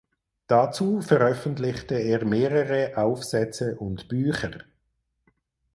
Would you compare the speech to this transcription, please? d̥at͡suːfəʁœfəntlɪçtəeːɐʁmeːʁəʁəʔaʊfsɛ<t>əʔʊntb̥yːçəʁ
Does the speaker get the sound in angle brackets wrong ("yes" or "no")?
yes